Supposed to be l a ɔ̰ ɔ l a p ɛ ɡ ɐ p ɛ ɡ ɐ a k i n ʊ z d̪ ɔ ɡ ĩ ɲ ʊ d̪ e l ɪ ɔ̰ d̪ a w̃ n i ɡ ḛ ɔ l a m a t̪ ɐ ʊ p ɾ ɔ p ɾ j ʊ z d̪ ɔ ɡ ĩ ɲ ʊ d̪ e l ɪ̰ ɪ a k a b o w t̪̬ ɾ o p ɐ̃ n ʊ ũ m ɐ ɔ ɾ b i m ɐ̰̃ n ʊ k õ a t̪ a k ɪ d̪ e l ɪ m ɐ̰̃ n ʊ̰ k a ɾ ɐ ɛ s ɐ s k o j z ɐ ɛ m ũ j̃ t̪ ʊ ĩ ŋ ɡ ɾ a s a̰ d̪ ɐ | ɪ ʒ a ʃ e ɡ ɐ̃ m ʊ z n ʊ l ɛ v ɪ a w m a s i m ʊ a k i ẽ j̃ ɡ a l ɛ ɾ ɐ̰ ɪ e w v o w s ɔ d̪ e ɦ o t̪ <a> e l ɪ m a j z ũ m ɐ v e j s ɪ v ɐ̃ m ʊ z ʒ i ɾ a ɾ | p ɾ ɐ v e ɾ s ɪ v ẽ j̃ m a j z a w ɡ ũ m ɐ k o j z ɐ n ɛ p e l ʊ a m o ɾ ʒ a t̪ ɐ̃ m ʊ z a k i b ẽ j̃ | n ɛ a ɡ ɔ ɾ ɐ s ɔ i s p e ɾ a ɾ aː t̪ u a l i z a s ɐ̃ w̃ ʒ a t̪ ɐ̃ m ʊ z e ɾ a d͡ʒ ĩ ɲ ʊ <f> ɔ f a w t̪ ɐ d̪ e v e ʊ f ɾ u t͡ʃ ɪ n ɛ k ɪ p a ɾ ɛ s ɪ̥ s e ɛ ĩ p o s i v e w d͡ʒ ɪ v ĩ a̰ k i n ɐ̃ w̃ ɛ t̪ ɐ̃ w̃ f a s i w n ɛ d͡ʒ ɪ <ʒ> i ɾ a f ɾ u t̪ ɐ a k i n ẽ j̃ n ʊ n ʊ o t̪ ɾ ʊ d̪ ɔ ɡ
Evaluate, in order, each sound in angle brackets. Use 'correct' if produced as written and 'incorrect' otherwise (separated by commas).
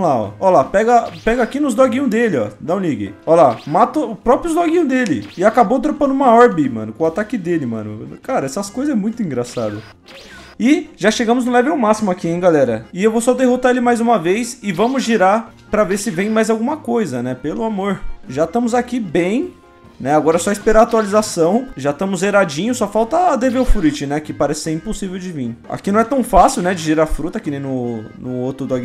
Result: correct, incorrect, correct